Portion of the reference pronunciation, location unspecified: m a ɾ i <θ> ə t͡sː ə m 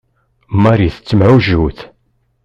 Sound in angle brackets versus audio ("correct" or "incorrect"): correct